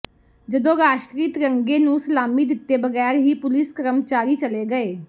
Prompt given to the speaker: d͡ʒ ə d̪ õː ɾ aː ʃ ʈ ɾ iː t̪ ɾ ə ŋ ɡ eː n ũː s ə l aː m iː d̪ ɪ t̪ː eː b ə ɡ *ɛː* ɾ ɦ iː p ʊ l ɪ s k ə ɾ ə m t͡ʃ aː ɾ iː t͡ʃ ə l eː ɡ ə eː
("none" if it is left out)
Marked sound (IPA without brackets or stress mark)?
ɛː